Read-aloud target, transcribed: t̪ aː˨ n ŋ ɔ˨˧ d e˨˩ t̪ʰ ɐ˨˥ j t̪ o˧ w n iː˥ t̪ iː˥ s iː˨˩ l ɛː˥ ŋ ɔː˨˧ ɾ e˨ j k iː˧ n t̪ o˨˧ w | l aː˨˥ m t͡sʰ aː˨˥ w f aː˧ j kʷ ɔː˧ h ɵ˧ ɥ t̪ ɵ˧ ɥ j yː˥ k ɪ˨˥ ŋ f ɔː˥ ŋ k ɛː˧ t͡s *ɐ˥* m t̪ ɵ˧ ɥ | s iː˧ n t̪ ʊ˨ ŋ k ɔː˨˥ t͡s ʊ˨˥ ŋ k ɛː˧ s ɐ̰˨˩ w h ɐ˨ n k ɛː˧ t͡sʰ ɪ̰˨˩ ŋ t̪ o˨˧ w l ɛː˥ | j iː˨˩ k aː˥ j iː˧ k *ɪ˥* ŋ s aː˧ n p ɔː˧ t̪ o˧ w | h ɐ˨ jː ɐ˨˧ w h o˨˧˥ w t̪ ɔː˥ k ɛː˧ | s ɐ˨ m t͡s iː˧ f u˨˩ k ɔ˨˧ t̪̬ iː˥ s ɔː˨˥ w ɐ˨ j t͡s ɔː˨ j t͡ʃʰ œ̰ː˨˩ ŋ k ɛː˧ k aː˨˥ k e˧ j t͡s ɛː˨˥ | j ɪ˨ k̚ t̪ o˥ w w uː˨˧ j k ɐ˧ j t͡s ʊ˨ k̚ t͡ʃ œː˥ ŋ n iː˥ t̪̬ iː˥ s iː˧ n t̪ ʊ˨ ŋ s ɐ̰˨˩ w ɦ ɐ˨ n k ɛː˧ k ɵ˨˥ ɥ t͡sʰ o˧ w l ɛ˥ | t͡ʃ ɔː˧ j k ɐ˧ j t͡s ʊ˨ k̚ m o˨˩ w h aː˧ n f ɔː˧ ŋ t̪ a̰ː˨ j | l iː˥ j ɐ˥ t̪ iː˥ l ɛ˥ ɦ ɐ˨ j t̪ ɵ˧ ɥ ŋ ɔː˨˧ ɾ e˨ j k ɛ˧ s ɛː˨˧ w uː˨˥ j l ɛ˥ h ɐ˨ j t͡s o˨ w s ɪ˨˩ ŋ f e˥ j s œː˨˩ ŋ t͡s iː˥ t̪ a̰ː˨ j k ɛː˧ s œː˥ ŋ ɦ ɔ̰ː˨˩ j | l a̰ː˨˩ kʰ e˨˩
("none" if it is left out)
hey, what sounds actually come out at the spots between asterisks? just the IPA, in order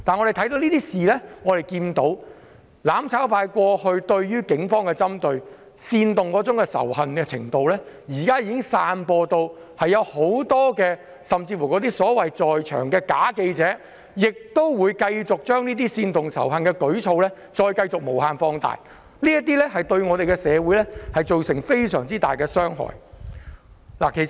ɐ˥, ɪ˥

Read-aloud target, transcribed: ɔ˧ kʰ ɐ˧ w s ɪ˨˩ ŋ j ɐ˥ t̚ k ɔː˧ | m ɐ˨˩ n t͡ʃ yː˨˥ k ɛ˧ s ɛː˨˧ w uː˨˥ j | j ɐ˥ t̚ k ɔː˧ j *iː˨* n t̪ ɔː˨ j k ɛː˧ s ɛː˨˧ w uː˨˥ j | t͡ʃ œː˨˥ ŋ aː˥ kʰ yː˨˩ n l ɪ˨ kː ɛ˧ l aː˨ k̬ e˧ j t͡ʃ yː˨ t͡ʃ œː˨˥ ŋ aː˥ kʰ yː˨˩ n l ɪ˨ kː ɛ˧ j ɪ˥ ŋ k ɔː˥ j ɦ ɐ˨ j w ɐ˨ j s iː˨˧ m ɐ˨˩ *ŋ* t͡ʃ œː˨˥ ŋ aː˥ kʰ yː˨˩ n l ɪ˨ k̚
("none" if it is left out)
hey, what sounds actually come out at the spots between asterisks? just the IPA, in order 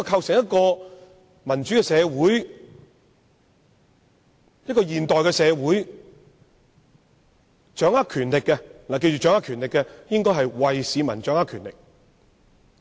iː˨, n

